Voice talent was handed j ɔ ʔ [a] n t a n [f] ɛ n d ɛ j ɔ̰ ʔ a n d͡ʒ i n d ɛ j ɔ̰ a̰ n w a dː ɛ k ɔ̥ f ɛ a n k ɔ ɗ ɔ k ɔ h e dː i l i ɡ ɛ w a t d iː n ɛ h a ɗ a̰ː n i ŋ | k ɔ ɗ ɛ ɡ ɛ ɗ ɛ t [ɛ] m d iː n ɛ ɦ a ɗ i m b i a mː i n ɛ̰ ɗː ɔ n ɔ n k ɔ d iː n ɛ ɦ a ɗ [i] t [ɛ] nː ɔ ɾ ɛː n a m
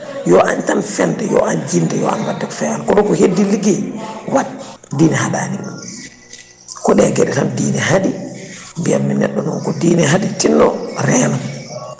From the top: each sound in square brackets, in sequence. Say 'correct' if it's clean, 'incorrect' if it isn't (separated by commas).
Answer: correct, correct, incorrect, correct, incorrect